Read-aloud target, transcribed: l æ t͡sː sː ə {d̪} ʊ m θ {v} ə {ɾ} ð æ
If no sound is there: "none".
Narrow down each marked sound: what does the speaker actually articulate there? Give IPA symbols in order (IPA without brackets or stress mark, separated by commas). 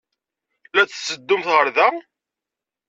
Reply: d̪ː, ʁ, ɾ